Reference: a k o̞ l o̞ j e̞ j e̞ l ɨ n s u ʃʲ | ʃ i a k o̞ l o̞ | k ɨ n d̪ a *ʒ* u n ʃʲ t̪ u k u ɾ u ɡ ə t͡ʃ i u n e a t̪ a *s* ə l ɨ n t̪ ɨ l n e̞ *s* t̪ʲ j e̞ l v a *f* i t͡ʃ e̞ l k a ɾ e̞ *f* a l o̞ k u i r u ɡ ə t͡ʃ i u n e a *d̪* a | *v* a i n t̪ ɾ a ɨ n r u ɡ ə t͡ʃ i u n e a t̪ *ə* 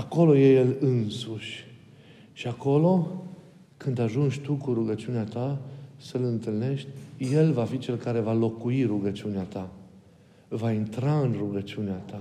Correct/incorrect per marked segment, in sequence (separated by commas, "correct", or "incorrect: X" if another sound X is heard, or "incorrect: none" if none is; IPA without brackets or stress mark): correct, correct, incorrect: ʃ, correct, incorrect: v, incorrect: t̪, correct, incorrect: a